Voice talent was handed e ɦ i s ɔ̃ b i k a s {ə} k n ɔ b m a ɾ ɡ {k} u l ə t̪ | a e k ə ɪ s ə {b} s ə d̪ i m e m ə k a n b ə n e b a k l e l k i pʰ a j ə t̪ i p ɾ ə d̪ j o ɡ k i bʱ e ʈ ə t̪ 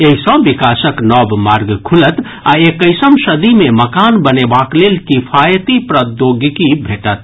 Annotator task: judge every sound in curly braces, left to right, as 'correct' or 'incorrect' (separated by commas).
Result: correct, incorrect, incorrect